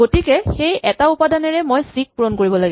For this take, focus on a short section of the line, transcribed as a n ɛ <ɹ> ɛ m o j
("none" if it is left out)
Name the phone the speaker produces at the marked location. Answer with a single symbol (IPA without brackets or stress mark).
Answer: ɹ